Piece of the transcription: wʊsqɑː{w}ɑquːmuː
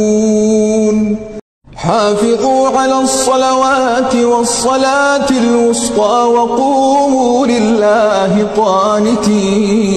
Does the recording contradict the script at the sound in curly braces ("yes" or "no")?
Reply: no